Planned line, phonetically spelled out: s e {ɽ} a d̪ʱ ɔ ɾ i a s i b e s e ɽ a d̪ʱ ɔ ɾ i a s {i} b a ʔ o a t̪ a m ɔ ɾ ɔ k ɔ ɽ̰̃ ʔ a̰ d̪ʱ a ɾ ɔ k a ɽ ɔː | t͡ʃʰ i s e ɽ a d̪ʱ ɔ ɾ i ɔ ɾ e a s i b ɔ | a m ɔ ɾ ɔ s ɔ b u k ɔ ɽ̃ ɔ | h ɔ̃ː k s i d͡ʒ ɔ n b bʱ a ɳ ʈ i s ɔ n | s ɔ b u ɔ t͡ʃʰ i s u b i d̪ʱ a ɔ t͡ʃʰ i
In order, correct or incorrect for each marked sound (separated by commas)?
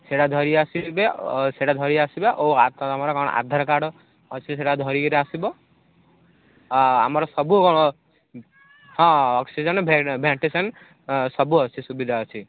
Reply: correct, correct